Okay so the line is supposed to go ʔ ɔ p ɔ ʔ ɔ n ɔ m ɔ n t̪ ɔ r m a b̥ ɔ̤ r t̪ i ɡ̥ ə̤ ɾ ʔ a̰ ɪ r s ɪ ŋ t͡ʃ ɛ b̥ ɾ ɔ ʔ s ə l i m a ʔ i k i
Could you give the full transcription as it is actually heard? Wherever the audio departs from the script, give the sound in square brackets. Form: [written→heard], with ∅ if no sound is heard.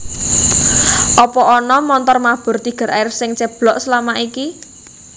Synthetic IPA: ʔ ɔ p ɔ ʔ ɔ n ɔ m ɔ n t̪ ɔ r m a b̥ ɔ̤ r t̪ i ɡ̥ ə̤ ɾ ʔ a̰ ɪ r s ɪ ŋ t͡ʃ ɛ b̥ [ɾ→l] ɔ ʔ s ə l [i→a] m a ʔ i k i